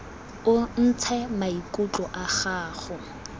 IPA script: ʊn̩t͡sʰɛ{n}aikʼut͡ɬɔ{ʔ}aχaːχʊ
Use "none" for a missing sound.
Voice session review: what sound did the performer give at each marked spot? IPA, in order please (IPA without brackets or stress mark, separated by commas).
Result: m, ʔ